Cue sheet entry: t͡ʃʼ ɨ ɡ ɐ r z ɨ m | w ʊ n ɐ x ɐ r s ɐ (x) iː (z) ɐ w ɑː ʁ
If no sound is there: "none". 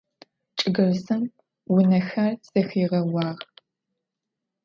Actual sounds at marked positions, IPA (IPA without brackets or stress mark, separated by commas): x, ʁ